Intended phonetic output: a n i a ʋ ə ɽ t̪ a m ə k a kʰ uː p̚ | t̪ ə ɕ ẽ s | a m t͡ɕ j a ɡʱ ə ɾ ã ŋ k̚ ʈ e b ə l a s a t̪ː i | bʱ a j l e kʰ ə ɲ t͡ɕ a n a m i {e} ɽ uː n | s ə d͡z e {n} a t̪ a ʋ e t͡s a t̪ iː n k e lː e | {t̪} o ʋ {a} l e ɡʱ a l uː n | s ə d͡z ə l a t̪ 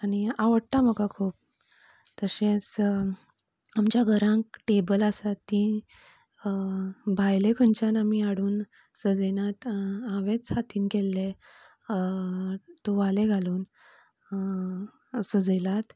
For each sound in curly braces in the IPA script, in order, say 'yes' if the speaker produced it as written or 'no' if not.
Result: no, yes, yes, yes

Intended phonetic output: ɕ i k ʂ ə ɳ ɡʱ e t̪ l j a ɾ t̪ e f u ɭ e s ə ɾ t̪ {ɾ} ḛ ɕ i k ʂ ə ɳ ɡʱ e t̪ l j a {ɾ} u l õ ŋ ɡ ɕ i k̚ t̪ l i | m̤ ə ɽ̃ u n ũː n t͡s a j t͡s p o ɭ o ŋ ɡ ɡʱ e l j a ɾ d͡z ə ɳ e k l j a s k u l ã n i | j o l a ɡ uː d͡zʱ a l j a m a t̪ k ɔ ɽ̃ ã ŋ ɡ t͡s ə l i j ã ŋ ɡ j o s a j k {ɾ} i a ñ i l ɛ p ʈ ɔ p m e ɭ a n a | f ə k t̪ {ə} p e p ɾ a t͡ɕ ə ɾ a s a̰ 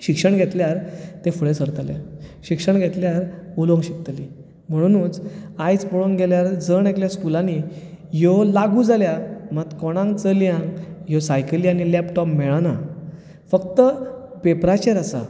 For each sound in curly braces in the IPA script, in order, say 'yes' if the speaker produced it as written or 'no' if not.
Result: no, yes, no, yes

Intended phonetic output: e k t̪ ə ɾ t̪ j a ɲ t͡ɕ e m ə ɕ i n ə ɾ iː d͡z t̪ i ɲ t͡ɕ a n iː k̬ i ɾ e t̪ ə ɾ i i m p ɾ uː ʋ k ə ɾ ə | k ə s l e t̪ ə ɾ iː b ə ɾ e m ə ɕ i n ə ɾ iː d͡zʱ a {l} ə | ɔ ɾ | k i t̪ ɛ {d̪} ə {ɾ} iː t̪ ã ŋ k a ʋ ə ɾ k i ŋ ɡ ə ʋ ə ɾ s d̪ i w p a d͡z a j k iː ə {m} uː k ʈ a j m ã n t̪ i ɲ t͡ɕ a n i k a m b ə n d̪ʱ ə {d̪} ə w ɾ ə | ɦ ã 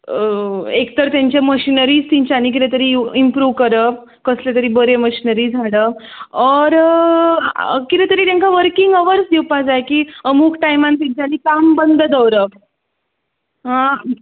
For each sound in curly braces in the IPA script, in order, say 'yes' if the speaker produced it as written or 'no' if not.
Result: no, no, yes, yes, yes

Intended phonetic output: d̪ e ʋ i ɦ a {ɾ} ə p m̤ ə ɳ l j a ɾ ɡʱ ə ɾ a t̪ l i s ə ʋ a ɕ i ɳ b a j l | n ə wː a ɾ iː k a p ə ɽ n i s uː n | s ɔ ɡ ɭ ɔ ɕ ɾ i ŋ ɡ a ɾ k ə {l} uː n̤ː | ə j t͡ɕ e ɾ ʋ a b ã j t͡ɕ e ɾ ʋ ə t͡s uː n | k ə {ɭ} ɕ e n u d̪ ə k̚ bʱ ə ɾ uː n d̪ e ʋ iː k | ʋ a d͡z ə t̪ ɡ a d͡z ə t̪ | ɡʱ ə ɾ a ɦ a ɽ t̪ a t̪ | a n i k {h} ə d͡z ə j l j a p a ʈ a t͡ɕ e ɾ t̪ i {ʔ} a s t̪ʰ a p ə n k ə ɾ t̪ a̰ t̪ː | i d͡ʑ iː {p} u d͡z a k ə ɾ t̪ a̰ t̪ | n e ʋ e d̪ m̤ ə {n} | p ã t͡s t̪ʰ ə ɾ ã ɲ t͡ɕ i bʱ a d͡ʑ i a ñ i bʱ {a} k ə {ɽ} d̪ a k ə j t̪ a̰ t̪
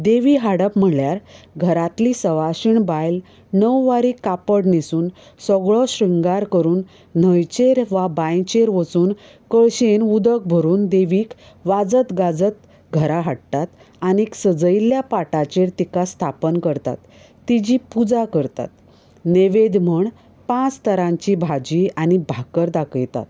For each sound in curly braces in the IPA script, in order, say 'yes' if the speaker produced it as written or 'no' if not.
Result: no, no, yes, no, no, yes, no, yes, no

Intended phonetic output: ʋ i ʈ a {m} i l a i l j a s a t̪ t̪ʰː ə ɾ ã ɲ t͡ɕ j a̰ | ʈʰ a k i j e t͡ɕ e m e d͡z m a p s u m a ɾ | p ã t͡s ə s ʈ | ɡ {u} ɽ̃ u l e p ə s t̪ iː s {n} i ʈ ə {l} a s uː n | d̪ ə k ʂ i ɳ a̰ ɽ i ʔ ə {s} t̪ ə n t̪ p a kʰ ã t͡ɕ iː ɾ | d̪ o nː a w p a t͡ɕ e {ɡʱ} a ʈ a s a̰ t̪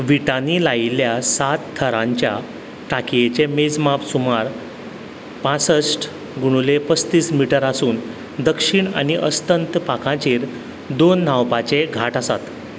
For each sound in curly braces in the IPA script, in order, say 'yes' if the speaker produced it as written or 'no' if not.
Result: no, yes, no, no, yes, yes

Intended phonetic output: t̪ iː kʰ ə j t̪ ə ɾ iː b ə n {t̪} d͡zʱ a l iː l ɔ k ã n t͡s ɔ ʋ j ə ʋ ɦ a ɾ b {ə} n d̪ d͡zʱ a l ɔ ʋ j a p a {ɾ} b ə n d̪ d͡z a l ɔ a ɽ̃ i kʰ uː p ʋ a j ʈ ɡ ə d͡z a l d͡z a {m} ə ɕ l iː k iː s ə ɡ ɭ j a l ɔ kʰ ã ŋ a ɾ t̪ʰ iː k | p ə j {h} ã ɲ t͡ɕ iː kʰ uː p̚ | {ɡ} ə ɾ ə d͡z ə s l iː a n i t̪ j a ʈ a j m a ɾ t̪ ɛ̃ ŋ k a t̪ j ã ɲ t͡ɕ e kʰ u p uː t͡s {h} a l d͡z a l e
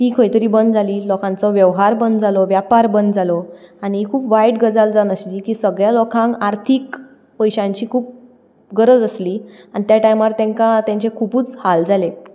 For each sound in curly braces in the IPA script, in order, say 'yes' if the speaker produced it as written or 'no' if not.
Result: no, yes, yes, no, no, yes, yes

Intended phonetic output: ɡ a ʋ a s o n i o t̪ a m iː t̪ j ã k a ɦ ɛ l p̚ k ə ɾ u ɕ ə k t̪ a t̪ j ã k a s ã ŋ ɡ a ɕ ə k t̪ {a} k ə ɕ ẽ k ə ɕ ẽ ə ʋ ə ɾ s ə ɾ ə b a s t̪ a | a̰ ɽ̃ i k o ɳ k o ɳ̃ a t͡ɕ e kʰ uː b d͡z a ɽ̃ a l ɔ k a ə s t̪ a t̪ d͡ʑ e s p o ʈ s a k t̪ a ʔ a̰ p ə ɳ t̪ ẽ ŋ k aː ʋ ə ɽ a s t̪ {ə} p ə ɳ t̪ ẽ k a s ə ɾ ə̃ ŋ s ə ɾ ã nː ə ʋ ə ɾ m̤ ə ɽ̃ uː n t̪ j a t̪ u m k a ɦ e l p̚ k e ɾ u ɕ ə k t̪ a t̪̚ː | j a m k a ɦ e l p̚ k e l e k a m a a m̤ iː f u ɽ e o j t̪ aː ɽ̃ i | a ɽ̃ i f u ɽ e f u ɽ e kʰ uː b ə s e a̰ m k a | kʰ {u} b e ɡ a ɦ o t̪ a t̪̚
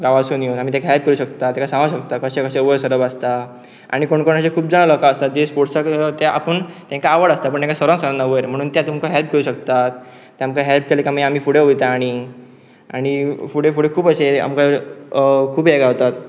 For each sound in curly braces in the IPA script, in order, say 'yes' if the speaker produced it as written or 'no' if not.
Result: yes, no, no

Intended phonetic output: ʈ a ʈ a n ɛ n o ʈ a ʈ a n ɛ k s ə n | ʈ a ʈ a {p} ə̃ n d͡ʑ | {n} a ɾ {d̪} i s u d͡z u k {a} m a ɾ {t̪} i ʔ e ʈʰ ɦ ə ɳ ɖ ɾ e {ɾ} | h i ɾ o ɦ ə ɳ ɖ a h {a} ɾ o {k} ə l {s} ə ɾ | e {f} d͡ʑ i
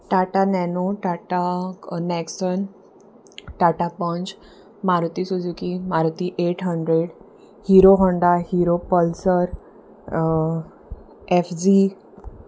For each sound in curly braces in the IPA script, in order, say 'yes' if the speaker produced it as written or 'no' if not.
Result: yes, no, no, no, yes, no, no, no, yes, yes

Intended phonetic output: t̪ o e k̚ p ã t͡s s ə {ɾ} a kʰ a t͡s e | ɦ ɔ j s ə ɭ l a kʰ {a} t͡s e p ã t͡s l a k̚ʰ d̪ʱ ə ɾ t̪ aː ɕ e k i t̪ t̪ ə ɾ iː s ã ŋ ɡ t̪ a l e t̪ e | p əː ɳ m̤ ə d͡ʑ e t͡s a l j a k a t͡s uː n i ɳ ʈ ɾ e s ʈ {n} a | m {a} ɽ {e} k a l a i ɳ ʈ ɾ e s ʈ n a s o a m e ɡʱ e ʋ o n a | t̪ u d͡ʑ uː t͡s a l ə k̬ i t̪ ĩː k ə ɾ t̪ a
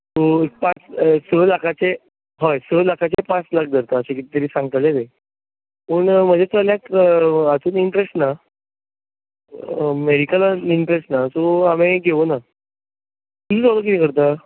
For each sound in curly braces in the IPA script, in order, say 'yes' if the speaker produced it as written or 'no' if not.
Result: no, yes, yes, no, no

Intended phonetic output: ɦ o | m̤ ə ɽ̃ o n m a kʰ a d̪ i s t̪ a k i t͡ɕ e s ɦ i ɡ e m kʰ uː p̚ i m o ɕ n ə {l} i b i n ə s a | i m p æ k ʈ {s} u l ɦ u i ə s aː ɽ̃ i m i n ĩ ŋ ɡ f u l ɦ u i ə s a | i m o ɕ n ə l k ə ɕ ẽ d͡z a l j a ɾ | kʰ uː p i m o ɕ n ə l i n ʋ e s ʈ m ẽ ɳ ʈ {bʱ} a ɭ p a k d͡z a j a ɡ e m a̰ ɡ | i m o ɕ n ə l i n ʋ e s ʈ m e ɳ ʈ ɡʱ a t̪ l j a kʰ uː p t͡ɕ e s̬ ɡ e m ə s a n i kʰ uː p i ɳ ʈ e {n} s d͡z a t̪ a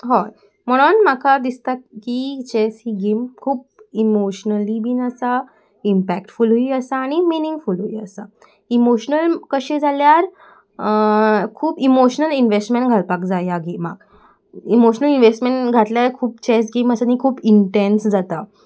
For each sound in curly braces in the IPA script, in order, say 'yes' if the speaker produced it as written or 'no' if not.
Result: yes, no, no, yes

